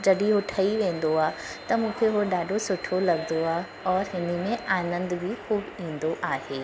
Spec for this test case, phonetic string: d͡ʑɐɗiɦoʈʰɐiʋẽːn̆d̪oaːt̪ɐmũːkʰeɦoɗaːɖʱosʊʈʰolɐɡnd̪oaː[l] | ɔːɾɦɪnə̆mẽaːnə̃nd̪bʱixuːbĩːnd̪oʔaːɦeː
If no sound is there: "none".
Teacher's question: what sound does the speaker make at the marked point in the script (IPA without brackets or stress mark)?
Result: none